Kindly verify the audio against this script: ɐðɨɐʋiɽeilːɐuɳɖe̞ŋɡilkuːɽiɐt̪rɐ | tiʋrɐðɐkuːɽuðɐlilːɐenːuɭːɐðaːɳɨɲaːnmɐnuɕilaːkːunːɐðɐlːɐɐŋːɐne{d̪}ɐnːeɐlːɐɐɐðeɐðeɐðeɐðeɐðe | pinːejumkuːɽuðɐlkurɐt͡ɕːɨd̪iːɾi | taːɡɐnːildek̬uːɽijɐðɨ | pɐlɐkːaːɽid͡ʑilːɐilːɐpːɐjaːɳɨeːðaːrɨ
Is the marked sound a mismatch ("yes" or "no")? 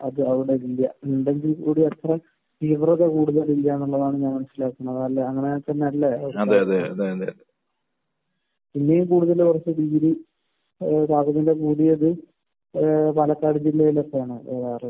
yes